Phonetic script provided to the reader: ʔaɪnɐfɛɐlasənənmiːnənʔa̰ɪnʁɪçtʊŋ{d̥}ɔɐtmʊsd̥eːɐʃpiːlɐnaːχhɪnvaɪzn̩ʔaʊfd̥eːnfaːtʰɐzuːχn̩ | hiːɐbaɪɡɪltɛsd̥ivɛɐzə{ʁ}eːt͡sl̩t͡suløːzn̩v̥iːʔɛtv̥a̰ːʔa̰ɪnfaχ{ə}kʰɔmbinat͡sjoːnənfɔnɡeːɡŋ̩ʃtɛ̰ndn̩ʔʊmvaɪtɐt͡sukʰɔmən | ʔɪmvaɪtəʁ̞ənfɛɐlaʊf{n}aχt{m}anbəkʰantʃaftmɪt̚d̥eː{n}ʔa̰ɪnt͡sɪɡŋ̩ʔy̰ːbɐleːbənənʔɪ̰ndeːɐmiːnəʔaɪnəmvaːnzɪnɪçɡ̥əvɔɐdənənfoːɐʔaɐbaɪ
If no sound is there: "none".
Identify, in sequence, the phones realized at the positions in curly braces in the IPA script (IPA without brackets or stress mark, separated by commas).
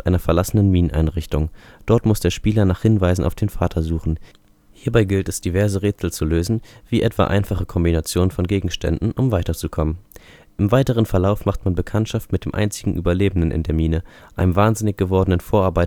d̥, ʁ, ə, m, m, m